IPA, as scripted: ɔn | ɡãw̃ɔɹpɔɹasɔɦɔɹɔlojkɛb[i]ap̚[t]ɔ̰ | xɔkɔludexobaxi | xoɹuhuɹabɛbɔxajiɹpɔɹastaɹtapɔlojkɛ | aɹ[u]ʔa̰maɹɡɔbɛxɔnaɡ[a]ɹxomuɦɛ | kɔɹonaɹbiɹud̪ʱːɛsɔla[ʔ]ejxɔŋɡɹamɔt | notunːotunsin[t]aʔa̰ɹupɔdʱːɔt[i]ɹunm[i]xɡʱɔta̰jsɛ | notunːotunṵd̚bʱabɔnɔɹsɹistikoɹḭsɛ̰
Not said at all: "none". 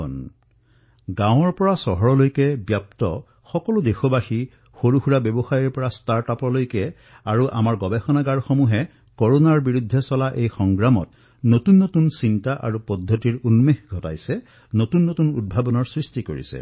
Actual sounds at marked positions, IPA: j, t, u, a, ʔ, t, i, e

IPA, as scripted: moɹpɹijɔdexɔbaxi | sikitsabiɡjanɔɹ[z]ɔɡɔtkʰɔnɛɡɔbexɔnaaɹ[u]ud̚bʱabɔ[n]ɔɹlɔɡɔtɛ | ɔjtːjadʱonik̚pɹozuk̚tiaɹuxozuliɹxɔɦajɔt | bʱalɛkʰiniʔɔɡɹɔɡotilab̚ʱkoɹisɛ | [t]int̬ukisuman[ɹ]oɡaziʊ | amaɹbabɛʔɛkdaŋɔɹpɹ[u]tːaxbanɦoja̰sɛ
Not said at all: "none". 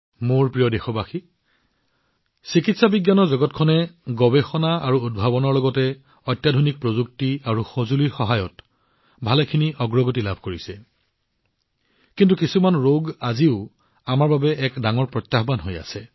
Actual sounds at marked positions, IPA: z, u, n, k, ɹ, ɔ

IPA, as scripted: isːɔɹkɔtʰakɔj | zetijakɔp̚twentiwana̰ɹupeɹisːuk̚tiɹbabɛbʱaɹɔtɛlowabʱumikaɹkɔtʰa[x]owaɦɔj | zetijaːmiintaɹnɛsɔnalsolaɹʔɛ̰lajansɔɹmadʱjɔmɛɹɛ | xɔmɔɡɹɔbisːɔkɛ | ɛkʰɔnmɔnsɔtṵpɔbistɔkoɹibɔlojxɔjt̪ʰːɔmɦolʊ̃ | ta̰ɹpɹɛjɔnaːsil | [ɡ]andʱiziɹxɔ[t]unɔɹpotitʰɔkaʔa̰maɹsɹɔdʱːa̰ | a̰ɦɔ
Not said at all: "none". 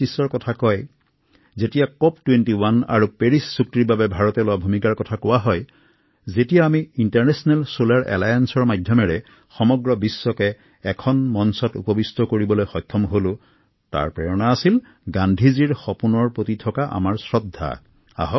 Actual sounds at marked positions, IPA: k, ɡ, p

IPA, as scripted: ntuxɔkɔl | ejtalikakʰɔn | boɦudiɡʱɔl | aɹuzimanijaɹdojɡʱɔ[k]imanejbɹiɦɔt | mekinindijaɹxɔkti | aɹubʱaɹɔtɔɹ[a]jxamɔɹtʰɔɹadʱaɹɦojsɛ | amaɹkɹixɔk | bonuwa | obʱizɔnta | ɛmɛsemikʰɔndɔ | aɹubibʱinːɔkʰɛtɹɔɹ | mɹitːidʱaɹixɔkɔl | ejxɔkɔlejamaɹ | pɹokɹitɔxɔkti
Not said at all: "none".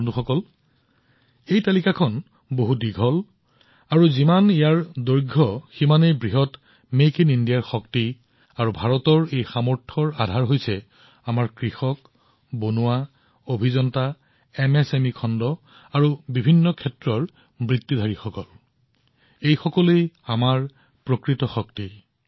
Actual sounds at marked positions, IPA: x, e

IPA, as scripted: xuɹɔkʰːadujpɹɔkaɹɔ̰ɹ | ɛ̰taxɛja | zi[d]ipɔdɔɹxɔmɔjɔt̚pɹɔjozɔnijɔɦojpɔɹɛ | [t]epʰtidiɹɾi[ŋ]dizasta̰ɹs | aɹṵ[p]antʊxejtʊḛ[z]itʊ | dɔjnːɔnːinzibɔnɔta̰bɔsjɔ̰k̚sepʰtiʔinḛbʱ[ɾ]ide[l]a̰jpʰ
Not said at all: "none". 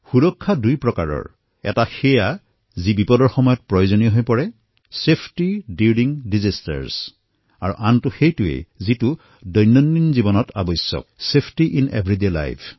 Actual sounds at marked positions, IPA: b, s, ŋ, ʔ, z, ɹ, l

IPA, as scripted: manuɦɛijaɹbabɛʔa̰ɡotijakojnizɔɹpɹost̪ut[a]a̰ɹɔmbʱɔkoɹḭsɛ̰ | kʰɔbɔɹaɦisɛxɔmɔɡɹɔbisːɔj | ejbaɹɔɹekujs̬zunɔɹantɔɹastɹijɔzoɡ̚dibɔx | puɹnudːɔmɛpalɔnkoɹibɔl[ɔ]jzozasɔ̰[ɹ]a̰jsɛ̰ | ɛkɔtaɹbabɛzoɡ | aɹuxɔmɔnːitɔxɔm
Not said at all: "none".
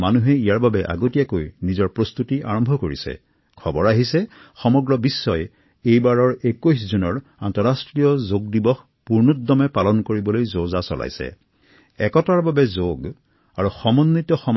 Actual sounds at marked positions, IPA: i, o, l

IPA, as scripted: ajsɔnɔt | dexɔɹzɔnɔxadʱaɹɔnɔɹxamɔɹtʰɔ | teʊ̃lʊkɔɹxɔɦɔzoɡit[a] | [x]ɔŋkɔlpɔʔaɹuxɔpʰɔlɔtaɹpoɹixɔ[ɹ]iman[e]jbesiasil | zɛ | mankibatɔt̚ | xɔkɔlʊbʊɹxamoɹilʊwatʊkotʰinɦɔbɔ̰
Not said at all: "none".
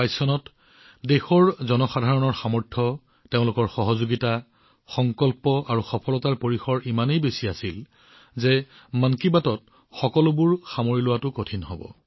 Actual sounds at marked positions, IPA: a, x, ɹ, e

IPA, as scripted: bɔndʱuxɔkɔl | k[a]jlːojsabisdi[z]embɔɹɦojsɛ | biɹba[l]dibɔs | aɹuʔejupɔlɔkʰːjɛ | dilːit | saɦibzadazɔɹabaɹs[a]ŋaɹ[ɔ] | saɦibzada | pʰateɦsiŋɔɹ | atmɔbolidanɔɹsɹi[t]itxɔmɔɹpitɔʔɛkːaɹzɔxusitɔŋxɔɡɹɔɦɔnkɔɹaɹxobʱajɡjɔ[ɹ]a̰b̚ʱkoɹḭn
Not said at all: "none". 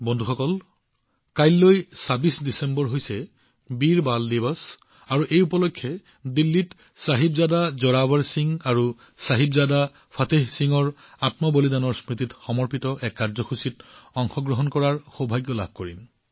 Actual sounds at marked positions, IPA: a, s, l, i, u, t, l

